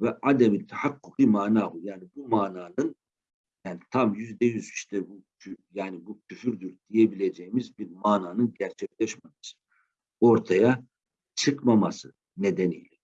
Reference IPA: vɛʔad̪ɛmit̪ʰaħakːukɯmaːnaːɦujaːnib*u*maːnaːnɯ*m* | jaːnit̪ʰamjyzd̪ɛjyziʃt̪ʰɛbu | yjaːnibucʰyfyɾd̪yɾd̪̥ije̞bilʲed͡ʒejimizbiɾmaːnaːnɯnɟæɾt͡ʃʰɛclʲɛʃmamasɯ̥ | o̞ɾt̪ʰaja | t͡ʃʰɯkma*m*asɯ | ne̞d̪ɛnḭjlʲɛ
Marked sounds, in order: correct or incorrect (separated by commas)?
correct, incorrect, correct